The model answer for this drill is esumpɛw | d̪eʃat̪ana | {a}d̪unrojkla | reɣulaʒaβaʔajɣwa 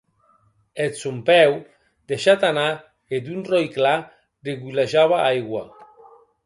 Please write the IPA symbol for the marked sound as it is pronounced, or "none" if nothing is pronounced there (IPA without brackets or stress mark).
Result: e